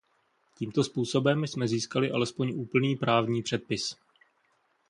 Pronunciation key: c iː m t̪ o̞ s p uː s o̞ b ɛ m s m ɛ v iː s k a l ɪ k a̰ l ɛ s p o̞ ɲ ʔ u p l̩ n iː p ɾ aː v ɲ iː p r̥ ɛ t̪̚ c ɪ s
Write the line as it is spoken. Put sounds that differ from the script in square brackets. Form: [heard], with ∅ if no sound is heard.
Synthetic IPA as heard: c iː m t̪ o̞ s p uː s o̞ b ɛ m s m ɛ [z] iː s k a l ɪ [ʔ] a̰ l ɛ s p o̞ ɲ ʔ [uː] p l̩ n iː p ɾ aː v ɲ iː p r̥ ɛ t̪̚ [p] ɪ s